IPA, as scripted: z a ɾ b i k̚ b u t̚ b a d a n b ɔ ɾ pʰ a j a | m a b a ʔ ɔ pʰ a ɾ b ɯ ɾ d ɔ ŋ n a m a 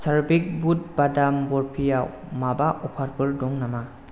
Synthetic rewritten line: s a ɾ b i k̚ b u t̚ b a d a m b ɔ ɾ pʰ i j a | m a b a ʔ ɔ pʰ a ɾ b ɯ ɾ d ɔ ŋ n a m a